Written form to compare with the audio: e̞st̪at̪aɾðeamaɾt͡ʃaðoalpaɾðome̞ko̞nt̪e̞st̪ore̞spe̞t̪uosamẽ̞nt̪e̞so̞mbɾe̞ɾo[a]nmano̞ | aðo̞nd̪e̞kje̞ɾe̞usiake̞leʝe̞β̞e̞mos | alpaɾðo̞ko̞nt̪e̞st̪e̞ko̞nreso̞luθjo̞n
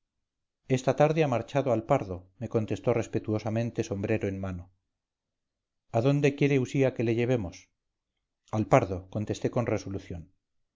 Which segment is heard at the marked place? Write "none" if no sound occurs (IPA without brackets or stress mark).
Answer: e